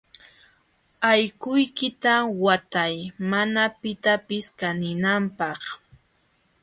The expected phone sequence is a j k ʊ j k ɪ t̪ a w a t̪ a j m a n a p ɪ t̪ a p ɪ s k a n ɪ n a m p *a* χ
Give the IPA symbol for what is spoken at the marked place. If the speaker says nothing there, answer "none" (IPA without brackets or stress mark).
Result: ɑ